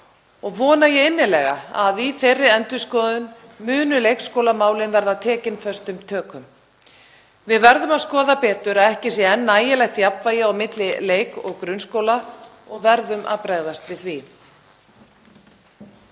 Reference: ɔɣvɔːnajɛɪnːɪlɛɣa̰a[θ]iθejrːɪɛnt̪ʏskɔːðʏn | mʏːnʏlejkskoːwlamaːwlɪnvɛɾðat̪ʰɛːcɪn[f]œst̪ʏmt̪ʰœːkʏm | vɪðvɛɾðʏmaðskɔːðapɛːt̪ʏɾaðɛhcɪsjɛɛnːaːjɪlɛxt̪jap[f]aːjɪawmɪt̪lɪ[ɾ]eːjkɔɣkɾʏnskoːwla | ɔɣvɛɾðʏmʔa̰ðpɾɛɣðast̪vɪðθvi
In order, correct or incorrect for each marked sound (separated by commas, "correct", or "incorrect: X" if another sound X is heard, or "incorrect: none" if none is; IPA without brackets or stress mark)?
incorrect: ð, correct, incorrect: v, incorrect: l